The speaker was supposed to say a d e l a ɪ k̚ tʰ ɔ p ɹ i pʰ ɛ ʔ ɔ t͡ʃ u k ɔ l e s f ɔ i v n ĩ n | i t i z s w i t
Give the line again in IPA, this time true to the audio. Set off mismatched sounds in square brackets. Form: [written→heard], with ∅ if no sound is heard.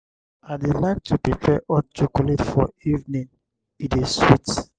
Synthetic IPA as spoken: a d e l a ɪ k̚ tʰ [ɔ→u] p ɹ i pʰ ɛ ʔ ɔ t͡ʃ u k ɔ l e [s→t] f ɔ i v n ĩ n | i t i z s w i t

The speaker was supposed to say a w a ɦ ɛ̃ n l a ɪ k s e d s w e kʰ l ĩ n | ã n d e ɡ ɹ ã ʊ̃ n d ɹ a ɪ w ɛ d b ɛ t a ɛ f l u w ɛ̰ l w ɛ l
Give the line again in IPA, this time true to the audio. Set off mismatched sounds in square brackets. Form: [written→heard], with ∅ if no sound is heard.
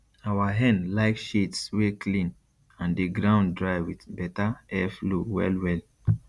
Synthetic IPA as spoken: a w a ɦ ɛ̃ n l a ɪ k [s→ʃ] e [d→t] s w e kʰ l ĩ n | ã n d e ɡ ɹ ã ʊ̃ n d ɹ a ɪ w [ɛ→i] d b ɛ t a ɛ f l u w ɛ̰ l w ɛ l

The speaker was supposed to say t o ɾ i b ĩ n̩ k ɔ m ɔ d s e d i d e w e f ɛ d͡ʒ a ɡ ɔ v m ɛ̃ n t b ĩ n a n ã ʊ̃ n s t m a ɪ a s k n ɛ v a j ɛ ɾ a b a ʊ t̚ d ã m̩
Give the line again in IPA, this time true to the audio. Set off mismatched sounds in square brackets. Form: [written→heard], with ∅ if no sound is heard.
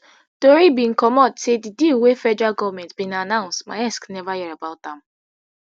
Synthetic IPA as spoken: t o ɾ i b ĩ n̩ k ɔ m ɔ d s e d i d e w e f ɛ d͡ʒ a ɡ ɔ v m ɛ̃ n t b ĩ n a n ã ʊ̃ n s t m a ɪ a s k n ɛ v a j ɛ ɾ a b a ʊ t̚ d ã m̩

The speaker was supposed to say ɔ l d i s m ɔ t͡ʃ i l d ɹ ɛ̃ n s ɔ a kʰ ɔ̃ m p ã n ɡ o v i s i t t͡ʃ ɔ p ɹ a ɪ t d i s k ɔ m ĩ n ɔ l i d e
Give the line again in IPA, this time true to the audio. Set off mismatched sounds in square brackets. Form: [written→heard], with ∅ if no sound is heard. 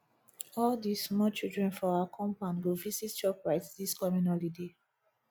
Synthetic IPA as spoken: ɔ l d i s m ɔ t͡ʃ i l d ɹ ɛ̃ n [s→f] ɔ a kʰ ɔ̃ m p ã n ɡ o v i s i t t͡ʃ ɔ p ɹ a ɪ t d i s k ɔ m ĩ n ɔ l i d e

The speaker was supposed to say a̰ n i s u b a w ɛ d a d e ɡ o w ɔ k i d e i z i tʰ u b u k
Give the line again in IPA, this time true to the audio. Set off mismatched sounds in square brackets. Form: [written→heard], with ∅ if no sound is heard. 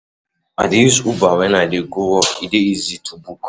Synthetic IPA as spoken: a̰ [n→d] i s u b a w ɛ [d→n] a d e ɡ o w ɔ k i d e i z i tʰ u b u k

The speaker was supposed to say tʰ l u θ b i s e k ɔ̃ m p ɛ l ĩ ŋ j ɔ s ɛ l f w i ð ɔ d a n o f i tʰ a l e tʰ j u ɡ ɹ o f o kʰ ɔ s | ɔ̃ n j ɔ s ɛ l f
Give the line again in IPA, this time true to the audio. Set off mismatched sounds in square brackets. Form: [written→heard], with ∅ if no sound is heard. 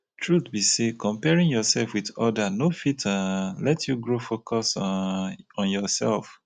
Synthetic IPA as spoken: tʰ [l→ɹ] u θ b i s e k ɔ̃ m p ɛ [l→ɹ] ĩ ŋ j ɔ s ɛ l f w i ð ɔ d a n o f i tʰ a l [e→ɛ] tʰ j u ɡ ɹ o f o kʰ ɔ s | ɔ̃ n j ɔ s ɛ l f

